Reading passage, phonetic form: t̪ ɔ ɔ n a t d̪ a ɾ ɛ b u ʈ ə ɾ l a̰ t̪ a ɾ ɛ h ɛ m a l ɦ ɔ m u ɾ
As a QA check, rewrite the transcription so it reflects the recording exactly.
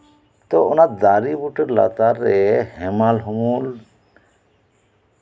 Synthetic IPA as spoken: t̪ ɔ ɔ n a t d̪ a ɾ i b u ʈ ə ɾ l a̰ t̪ a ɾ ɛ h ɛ m a l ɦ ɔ m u l

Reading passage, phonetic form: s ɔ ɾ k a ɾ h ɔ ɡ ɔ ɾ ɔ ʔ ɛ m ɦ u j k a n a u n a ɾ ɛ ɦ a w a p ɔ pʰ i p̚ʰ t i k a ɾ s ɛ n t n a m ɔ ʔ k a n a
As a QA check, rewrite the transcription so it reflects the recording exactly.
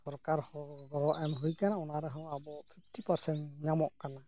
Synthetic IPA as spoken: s ɔ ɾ k a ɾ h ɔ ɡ ɔ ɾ ɔ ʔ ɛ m ɦ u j k a n a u n a ɾ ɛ ɦ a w a b ɔ pʰ i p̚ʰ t i p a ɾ s ɛ n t ɲ a m ɔ ʔ k a n a

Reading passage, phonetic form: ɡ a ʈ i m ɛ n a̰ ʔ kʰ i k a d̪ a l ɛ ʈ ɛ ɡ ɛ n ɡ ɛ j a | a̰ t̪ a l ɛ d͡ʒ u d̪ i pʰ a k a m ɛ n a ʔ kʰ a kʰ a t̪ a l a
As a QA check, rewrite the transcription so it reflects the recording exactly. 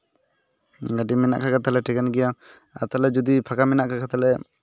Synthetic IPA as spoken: ɡ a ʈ i m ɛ n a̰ ʔ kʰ a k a t̪ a l ɛ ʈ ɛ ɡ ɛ n ɡ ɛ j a | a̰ t̪ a l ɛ d͡ʒ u d̪ i pʰ a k a m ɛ n a ʔ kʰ a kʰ a t̪ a l ɛ

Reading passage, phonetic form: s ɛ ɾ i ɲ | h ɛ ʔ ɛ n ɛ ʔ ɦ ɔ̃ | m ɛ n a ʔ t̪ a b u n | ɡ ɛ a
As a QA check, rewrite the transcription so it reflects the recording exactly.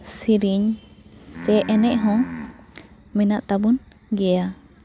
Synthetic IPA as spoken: s i ɾ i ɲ | s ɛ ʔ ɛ n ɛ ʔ ɦ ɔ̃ | m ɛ n a ʔ t̪ a b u n | ɡ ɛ a

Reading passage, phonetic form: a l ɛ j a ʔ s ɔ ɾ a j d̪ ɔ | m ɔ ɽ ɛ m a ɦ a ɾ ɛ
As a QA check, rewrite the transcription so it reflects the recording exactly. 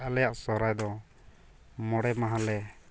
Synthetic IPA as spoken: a l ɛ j a ʔ s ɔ ɾ a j d̪ ɔ | m ɔ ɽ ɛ m a ɦ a l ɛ

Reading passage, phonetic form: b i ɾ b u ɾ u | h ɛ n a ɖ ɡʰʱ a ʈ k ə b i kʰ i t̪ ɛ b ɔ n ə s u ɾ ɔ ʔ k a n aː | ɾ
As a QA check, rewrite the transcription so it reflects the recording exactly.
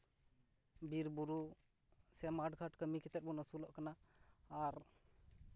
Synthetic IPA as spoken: b i ɾ b u ɾ u | s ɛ m a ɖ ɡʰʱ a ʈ k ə m i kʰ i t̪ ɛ b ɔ n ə s u l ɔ ʔ k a n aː | ɾ

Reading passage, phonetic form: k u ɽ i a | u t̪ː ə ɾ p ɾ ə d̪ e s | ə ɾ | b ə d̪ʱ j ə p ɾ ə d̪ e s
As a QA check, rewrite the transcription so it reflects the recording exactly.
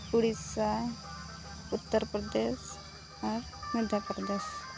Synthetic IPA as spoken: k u ɽ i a | u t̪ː ə ɾ p ɾ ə d̪ e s | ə ɾ | m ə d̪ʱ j a p ɾ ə d̪ e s

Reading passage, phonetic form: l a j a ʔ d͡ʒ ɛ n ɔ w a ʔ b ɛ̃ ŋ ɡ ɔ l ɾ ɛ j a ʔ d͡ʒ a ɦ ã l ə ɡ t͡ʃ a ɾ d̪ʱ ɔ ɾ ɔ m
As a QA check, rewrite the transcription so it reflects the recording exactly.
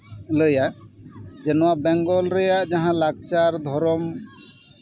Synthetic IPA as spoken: l ə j a ʔ d͡ʒ ɛ n ɔ w a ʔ b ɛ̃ ŋ ɡ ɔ l ɾ ɛ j a ʔ d͡ʒ a ɦ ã l a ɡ t͡ʃ a ɾ d̪ʱ ɔ ɾ ɔ m

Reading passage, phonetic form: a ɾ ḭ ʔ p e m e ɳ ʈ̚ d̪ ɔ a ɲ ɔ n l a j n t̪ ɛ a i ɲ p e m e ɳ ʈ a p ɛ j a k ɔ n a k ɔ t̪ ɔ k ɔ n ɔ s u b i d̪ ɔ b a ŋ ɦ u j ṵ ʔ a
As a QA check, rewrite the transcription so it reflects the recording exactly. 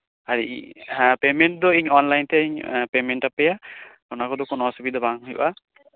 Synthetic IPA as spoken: a ɾ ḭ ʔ p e m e ɳ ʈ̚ d̪ ɔ i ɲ ɔ n l a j n t̪ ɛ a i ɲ p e m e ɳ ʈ a p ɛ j a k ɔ n a k ɔ d̪ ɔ k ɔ n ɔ s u b i d̪ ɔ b a ŋ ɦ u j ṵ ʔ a

